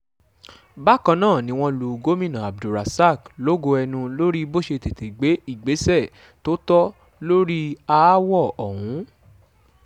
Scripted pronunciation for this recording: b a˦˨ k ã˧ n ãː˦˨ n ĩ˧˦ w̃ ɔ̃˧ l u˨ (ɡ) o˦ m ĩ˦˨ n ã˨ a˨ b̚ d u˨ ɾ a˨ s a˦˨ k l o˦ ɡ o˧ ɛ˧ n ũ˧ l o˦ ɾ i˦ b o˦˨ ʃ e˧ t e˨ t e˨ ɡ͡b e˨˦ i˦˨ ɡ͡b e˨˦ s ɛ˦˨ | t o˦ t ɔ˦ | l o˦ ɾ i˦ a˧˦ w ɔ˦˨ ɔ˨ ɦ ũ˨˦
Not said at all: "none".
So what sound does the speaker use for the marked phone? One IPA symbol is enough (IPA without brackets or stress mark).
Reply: ɡ